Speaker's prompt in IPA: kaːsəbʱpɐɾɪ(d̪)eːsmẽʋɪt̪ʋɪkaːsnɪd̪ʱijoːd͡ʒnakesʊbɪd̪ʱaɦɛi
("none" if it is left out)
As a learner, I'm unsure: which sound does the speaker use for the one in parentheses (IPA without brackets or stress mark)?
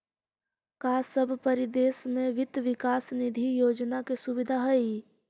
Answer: d̪